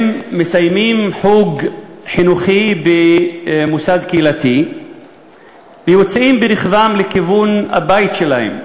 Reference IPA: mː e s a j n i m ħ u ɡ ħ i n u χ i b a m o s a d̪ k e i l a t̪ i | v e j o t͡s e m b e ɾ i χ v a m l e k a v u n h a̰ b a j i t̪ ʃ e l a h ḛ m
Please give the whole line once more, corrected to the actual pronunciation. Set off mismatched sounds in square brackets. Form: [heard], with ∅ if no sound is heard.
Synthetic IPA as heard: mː e s a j [m] i m ħ u ɡ ħ i n u χ i b [e] m [u] s a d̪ k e i l a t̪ i | v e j o t͡s [i] m b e ɾ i χ v a m l e k [i] v u n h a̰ b a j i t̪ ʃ e l a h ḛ m